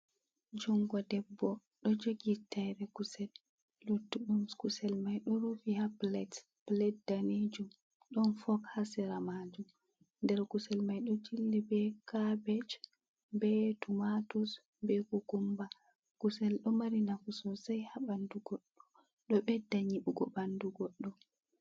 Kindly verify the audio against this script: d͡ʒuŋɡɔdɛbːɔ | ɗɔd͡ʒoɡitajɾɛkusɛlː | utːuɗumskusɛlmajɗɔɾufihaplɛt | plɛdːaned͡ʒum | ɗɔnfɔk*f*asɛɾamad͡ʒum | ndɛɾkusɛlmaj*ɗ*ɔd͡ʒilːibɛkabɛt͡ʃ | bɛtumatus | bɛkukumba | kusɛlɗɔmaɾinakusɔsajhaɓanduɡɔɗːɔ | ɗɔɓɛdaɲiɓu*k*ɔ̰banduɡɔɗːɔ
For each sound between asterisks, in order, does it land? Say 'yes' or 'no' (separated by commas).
no, yes, no